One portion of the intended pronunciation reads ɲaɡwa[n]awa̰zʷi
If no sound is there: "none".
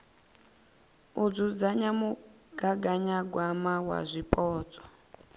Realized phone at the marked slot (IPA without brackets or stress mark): m